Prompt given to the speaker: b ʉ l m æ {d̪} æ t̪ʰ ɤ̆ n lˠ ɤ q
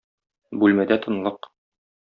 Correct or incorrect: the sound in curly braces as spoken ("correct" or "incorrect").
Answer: correct